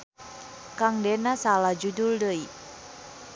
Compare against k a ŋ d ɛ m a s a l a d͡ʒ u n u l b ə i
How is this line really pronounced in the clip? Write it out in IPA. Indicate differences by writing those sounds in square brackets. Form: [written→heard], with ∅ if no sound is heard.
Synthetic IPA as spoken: k a ŋ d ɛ [m→n] a s a l a d͡ʒ u [n→d] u l [b→d] ə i